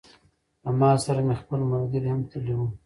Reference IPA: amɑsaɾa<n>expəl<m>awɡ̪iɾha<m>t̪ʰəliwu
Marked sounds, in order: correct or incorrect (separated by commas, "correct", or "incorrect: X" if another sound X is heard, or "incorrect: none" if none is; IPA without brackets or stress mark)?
incorrect: m, correct, correct